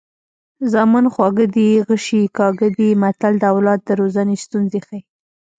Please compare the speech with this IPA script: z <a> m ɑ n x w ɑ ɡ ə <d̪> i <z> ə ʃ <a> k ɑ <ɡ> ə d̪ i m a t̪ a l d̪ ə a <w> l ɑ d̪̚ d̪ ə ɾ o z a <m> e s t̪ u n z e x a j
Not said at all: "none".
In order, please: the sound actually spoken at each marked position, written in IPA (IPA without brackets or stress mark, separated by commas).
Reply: ɑ, d̪, ɣ, i, ɡ, w, n